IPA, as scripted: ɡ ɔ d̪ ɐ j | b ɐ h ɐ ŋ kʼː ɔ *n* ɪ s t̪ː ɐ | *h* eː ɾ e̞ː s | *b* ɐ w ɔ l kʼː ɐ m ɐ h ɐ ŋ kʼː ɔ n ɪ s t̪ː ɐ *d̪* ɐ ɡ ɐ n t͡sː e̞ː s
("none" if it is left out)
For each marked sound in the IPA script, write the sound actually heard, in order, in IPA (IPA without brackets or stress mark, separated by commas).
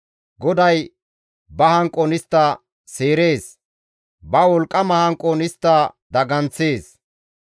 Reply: n, s, b, d̪